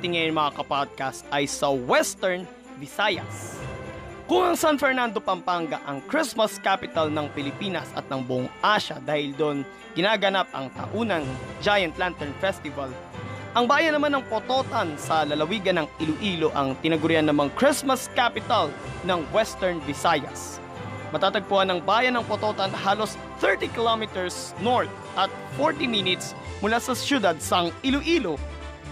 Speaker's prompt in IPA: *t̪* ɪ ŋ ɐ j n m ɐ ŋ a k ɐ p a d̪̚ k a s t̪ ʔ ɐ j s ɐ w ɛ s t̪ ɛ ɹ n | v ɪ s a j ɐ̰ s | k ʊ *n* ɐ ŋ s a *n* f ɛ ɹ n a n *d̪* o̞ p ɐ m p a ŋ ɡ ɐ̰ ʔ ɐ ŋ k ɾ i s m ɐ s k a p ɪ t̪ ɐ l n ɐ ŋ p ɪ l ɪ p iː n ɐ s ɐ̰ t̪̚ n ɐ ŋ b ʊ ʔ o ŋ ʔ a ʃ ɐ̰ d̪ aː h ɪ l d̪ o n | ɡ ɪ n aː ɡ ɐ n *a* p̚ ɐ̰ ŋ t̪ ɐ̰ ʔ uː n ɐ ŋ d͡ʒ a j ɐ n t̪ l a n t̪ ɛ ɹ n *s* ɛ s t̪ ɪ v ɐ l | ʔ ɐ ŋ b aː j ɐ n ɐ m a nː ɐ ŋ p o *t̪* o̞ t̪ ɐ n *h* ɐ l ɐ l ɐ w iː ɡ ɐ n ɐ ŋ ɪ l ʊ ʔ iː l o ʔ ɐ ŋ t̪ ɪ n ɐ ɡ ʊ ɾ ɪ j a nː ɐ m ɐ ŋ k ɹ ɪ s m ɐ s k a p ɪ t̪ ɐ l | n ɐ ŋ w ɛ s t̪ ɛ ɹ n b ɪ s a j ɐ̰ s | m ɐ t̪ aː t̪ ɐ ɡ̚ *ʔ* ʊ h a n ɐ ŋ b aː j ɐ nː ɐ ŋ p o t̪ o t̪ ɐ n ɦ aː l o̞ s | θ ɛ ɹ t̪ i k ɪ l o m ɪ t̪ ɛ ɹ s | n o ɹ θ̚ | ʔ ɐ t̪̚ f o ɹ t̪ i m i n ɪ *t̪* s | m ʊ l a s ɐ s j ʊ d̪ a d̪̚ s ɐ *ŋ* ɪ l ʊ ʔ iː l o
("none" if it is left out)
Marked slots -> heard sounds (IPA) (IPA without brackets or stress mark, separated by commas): t̪, ŋ, n, d̪, a, f, t̪, s, p, t̪, ŋ